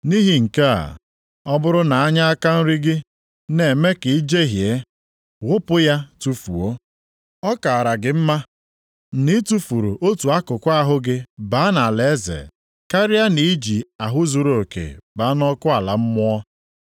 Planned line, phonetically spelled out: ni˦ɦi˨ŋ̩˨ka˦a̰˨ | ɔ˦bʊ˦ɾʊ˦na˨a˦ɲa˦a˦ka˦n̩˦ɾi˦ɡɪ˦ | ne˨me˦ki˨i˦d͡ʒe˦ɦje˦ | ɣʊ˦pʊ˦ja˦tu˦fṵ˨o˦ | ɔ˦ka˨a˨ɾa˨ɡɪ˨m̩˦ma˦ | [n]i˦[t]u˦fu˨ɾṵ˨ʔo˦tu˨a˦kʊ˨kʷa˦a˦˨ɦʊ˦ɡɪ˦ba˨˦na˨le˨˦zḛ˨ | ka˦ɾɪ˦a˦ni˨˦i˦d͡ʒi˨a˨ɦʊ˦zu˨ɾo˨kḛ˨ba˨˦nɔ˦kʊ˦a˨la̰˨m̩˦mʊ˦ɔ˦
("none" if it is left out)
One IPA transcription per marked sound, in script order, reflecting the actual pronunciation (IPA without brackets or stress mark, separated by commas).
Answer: n, t